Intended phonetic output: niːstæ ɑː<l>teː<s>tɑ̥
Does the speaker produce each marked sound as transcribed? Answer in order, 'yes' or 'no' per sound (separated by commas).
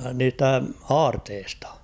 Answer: no, yes